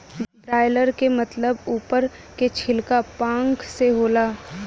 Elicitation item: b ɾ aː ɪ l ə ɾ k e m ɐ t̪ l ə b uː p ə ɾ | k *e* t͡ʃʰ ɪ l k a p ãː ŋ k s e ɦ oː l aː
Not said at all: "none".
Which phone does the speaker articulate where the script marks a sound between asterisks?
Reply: e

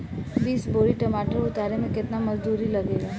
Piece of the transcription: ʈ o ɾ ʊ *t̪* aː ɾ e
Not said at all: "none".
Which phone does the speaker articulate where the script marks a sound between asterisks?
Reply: t̪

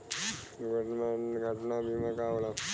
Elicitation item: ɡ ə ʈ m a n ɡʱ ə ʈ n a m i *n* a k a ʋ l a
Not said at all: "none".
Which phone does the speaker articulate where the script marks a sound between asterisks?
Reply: m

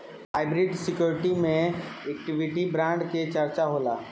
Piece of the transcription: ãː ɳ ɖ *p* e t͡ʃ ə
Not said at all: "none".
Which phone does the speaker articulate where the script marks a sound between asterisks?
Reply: k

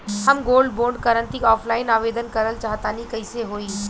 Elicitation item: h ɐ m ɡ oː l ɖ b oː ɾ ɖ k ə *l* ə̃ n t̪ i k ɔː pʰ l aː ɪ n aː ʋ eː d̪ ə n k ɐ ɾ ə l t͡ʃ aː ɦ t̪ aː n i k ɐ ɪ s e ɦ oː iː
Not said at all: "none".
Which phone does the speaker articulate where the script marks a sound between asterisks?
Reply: ɾ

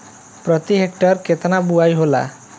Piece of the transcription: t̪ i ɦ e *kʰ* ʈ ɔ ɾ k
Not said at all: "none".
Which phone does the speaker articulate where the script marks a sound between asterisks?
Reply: k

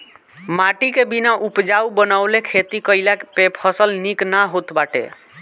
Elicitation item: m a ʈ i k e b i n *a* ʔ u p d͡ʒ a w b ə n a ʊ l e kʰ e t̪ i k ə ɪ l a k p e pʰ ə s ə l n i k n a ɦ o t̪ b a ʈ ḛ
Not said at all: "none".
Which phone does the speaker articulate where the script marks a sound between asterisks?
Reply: a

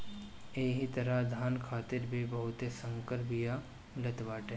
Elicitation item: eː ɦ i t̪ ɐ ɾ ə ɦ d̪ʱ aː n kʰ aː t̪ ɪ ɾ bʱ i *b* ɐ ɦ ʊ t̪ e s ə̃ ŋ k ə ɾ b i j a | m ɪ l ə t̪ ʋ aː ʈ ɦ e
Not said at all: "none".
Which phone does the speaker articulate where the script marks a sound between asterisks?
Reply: b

